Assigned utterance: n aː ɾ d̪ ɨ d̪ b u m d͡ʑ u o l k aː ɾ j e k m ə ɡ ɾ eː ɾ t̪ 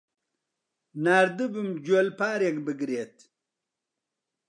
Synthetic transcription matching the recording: n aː ɾ d̪ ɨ b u m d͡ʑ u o l p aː ɾ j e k b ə ɡ ɾ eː t̪